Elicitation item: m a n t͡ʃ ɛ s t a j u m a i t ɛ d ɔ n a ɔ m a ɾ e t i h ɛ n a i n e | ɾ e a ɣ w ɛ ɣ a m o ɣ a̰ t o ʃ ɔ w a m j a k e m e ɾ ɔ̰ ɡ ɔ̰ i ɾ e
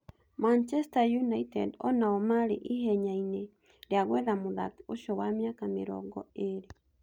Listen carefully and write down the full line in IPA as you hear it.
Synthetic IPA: m a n t͡ʃ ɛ s t a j u n a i t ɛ d ɔ n a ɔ m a ɾ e ʔ i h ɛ ɲ a i n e | ɾ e a ɣ w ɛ ð a m o ð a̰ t o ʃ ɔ w a m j a k a m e ɾ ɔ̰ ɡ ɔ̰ e ɾ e